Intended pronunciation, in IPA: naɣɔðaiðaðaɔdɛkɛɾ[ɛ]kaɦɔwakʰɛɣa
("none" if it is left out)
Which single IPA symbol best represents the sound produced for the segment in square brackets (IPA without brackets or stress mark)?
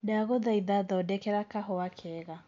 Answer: a